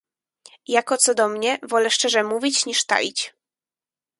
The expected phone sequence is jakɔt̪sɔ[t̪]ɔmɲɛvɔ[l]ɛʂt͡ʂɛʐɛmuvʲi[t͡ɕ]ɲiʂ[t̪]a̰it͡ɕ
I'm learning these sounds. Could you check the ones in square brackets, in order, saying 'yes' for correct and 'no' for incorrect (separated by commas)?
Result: no, yes, yes, yes